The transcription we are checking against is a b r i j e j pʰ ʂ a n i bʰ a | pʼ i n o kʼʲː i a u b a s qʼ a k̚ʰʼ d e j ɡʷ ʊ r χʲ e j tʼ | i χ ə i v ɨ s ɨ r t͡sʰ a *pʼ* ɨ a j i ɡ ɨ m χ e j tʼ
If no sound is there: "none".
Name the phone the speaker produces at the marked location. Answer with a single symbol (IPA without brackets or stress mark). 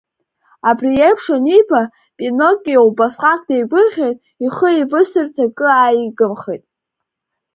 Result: kʼ